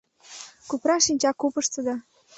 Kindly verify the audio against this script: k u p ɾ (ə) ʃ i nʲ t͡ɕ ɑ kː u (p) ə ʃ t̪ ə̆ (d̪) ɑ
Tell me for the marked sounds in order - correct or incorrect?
incorrect: ɑ, correct, correct

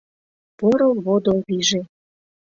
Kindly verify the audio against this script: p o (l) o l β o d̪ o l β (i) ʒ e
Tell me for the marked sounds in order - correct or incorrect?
incorrect: ɾ, correct

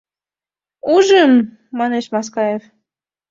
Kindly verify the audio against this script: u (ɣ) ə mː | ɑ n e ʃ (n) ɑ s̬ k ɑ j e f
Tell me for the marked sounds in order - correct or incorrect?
incorrect: ʒ, incorrect: m

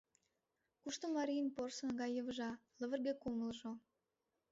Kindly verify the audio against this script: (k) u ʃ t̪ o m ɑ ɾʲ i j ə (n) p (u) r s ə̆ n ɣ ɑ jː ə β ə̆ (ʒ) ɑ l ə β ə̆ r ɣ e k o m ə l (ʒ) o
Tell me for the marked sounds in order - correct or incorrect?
correct, correct, incorrect: o, correct, correct

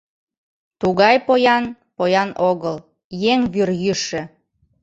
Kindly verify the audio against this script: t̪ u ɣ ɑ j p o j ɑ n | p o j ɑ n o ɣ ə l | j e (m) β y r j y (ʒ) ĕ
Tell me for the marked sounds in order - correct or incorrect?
incorrect: ŋ, incorrect: ʃ

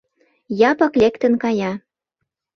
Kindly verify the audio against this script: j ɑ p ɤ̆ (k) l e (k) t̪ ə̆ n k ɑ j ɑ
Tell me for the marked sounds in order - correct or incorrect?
correct, correct

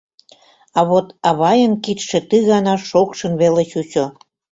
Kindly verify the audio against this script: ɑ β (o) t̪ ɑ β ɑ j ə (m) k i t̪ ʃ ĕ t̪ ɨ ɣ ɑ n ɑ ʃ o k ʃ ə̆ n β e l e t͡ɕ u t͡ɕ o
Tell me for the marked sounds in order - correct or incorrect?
correct, incorrect: n

